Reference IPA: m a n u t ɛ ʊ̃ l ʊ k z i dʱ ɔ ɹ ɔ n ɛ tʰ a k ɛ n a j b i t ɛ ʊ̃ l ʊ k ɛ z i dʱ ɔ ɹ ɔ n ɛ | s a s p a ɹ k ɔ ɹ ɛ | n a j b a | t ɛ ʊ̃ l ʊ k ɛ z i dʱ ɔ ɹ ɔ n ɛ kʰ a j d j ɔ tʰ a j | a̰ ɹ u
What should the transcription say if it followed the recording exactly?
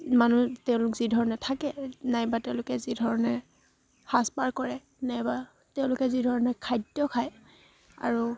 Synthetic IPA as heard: m a n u t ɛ ʊ̃ l ʊ k z i dʱ ɔ ɹ ɔ n ɛ tʰ a k ɛ n a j b a t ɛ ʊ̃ l ʊ k ɛ z i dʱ ɔ ɹ ɔ n ɛ | h a s p a ɹ k ɔ ɹ ɛ | n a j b a | t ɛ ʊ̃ l ʊ k ɛ z i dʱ ɔ ɹ ɔ n ɛ kʰ a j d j ɔ kʰ a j | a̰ ɹ u